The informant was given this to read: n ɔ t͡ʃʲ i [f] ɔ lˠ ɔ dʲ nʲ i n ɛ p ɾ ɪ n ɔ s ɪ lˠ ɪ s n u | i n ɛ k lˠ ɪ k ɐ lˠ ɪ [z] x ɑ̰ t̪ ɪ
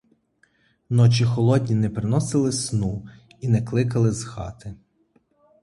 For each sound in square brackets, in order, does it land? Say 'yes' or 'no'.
no, yes

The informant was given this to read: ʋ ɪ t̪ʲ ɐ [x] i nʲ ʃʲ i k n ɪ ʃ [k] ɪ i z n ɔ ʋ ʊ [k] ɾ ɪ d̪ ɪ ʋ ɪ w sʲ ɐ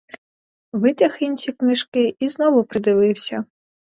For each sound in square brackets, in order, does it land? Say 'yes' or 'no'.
yes, yes, no

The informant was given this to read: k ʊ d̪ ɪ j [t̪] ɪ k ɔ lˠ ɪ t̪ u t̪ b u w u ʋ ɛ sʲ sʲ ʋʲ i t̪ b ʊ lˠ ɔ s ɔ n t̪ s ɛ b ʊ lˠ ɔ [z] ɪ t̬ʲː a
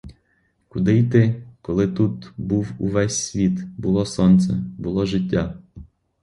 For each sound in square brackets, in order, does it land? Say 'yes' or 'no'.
yes, no

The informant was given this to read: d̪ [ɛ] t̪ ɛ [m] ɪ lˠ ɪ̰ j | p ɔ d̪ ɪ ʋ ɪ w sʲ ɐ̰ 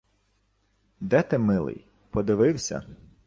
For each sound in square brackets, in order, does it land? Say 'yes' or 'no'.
yes, yes

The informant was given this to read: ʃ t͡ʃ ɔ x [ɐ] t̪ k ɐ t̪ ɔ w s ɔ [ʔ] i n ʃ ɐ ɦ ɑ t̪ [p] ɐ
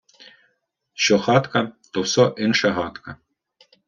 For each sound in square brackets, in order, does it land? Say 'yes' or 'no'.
no, yes, no

